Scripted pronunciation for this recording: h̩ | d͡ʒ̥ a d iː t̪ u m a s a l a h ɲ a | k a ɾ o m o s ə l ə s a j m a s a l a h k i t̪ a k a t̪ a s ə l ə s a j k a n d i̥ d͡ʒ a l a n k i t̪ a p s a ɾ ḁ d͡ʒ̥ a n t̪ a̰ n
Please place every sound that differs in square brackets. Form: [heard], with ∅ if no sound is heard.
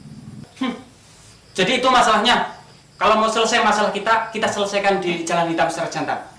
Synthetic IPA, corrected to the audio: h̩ | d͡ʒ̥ a d iː t̪ u m a s a l a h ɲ a | k a [l] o m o s ə l ə s a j m a s a l a h k i t̪ a k [i] t̪ a s ə l ə s a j k a n d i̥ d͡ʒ a l a n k i t̪ a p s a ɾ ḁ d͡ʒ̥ a n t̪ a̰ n